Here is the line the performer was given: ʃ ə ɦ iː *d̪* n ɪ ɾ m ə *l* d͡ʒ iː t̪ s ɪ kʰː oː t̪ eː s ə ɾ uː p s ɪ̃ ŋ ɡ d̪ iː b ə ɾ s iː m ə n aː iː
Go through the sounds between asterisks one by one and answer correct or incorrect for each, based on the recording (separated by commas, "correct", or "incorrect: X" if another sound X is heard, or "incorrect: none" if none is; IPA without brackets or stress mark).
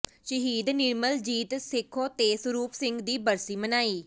correct, correct